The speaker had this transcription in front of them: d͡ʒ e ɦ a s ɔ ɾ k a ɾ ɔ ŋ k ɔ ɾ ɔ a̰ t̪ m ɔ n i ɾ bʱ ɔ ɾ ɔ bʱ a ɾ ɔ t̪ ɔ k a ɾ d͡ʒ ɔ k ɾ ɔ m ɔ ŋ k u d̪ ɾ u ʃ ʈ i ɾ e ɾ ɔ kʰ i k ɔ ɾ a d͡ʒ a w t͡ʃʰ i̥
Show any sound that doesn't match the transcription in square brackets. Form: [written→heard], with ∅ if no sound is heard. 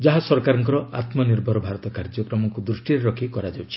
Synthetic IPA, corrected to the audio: d͡ʒ [e→a] ɦ a s ɔ ɾ k a ɾ ɔ ŋ k ɔ ɾ ɔ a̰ t̪ m ɔ n i ɾ bʱ ɔ ɾ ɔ bʱ a ɾ ɔ t̪ ɔ k a ɾ d͡ʒ ɔ k ɾ ɔ m ɔ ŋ k u d̪ ɾ u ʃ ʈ i ɾ e ɾ ɔ kʰ i k ɔ ɾ a d͡ʒ a w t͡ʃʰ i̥